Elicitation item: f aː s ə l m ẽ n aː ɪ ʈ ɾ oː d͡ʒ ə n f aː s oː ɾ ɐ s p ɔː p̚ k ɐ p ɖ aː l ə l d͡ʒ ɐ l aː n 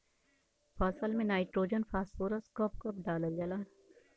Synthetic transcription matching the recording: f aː s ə l m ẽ n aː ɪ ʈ ɾ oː d͡ʒ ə n f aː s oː ɾ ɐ s k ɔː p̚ k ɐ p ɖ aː l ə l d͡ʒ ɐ l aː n